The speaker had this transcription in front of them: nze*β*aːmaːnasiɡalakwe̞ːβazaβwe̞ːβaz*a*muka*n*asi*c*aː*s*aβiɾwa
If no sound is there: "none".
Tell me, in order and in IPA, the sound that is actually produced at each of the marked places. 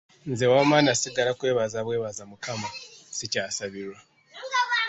w, a, m, c, s

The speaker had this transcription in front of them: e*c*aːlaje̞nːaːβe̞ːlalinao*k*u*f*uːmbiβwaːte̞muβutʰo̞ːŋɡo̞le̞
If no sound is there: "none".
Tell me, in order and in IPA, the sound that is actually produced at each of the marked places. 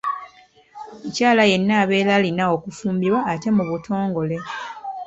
c, k, f

